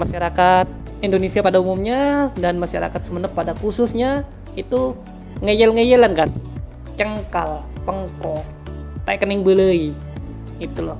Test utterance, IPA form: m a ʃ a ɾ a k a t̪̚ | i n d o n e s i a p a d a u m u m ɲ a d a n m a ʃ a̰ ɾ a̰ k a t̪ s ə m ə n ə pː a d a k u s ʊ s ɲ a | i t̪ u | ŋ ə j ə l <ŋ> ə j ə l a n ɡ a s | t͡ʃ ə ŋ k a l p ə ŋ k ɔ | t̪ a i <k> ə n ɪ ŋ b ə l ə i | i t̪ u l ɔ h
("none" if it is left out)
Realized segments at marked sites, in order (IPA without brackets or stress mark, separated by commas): ŋ, k